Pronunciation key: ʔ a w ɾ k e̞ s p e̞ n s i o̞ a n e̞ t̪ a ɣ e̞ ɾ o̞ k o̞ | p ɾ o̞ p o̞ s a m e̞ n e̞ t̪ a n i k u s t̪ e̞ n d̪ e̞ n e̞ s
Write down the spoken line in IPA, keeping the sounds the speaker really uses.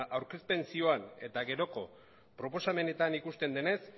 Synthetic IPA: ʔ a w ɾ k e̞ s p e̞ n s i o̞ a n e̞ t̪ a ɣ e̞ ɾ o̞ k o̞ | p ɾ o̞ p o̞ s a m e̞ n e̞ t̪ a n i k u s t̪ e̞ n d̪ e̞ n e̞ s